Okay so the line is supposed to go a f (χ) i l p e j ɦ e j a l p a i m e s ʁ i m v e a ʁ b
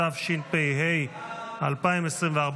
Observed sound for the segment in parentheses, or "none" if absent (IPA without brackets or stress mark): ʃ